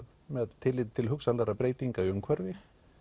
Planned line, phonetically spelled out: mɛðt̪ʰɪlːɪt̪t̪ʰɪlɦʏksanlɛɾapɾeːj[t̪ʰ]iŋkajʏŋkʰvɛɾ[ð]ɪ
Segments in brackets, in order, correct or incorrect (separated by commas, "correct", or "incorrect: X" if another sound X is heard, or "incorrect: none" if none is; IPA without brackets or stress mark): incorrect: t̪, incorrect: v